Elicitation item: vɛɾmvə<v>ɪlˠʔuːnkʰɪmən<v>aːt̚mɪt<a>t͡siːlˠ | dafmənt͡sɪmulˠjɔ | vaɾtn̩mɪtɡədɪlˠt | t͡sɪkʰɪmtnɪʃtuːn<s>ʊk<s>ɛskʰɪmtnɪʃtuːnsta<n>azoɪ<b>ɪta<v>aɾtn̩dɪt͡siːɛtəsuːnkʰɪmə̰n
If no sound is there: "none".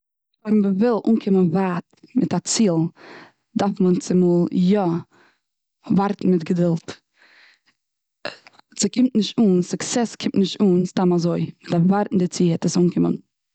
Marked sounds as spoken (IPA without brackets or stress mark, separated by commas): v, v, a, s, s, m, m, v